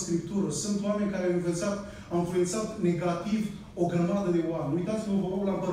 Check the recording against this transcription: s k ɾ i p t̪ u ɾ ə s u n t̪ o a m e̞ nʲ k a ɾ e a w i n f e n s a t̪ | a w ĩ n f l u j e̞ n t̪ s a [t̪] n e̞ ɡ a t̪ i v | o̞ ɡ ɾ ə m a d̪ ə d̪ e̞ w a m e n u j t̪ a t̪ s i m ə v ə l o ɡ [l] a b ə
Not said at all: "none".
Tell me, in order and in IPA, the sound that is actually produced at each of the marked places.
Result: t̪, l

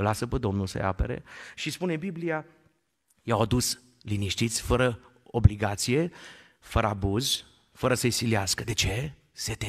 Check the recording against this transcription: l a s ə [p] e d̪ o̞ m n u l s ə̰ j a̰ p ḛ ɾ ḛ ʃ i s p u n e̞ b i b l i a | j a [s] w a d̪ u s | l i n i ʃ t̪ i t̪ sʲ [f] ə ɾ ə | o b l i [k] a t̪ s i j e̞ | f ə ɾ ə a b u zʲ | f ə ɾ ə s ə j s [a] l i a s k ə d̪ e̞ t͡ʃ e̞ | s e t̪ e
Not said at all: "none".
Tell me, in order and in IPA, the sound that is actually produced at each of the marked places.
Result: p, none, f, ɡ, i

